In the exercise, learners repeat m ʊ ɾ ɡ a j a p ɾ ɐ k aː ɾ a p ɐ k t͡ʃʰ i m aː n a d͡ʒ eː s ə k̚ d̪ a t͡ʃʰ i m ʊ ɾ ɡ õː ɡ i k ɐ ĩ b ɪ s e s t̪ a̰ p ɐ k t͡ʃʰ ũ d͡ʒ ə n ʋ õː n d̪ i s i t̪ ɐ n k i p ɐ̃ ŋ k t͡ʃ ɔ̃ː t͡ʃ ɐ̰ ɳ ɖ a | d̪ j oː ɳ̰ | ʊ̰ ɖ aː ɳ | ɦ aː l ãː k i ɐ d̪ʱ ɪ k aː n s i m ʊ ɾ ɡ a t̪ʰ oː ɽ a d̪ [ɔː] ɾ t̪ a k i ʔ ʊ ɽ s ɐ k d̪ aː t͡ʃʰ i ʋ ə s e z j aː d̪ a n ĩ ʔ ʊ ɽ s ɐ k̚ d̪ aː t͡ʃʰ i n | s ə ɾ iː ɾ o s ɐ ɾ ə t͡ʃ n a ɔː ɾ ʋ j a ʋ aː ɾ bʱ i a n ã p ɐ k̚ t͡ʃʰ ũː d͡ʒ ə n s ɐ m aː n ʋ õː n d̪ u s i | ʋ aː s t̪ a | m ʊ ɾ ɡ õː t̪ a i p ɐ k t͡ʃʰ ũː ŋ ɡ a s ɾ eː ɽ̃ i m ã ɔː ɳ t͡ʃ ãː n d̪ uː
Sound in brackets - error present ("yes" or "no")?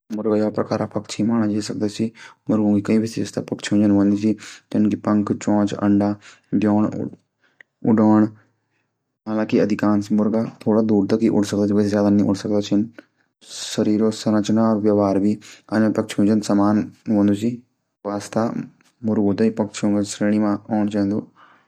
yes